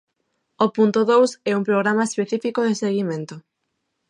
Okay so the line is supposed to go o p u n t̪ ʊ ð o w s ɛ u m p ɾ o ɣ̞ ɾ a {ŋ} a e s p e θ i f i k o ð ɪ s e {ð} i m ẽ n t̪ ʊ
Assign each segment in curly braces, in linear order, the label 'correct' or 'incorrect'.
incorrect: m, incorrect: ɣ

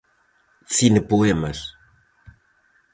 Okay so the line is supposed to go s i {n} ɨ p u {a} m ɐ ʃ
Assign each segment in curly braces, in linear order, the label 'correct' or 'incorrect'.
correct, incorrect: e

